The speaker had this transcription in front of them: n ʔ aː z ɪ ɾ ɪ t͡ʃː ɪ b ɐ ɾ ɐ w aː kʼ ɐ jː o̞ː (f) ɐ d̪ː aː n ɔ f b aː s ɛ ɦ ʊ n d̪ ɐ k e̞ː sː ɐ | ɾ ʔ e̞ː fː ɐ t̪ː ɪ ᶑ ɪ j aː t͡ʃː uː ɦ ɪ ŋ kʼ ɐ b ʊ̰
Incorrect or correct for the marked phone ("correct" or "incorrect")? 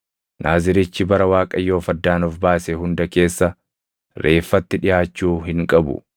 correct